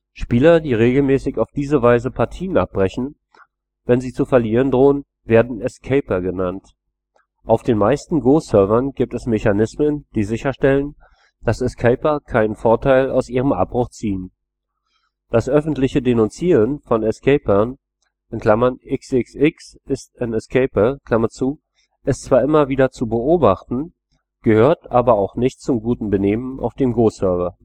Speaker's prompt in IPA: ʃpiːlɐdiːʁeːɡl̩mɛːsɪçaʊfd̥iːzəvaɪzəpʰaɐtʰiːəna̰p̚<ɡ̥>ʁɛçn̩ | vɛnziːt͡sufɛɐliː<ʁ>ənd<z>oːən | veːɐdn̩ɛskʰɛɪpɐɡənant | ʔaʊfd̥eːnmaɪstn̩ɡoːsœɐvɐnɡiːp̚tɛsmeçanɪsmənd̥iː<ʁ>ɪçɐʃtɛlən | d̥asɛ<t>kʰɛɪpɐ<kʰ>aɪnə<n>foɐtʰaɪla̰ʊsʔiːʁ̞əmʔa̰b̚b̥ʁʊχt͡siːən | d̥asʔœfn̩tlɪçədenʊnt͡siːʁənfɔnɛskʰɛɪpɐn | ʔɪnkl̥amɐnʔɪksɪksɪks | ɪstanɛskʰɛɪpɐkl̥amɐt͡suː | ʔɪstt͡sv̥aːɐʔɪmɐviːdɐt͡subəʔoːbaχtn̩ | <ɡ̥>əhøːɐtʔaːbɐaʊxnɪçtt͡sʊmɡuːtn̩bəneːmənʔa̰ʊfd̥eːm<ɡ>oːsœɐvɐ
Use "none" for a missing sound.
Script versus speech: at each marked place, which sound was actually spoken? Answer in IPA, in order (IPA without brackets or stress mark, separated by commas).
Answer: b̥, ʁ, ʁ, z, s, kʰ, n, ɡ̥, ɡ